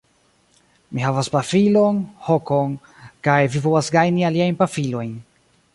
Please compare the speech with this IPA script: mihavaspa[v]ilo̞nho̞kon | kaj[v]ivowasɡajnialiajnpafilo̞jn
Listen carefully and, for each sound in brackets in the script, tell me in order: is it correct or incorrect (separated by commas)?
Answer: incorrect, correct